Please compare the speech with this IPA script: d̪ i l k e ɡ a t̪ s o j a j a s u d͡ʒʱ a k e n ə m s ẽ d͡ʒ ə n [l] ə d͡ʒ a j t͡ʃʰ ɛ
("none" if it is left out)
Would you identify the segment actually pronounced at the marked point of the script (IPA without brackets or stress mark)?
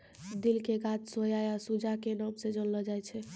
l